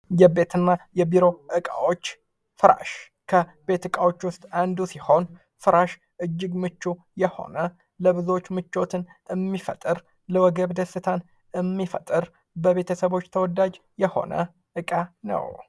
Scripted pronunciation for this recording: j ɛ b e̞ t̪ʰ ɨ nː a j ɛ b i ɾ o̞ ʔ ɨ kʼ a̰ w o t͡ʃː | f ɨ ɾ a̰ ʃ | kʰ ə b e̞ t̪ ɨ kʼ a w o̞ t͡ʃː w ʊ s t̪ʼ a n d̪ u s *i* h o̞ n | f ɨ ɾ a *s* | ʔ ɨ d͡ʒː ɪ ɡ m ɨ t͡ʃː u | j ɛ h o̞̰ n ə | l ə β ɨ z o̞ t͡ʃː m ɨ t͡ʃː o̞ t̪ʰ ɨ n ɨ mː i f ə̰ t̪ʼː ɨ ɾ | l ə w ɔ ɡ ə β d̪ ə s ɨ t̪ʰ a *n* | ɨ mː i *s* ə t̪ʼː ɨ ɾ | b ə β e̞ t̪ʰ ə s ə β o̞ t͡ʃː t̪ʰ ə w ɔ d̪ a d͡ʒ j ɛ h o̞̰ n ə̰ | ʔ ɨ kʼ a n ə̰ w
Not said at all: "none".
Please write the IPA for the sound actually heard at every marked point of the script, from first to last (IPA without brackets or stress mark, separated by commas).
i, ʃ, n, f